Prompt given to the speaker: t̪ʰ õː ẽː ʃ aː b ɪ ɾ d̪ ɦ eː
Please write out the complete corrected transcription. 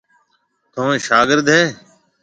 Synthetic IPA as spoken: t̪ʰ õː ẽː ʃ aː ɡ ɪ ɾ d̪ ɦ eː